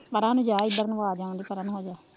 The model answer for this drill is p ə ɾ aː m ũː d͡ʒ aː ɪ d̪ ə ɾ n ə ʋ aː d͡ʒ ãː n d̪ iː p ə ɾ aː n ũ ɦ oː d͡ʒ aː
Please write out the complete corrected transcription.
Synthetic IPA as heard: p ə ɾ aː n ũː d͡ʒ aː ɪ d̪ ə ɾ n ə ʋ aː d͡ʒ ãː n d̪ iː p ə ɾ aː n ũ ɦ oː d͡ʒ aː